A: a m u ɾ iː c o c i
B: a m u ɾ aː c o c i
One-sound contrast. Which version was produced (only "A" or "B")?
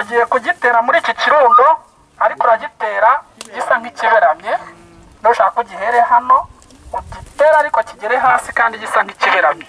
A